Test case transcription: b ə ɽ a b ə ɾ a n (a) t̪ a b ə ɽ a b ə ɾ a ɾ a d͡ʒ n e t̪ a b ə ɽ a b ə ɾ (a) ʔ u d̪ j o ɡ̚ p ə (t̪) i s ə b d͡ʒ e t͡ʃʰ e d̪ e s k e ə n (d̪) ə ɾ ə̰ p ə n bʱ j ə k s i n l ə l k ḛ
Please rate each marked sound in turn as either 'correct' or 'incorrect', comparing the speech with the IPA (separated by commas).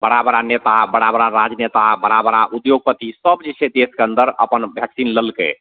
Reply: incorrect, correct, correct, correct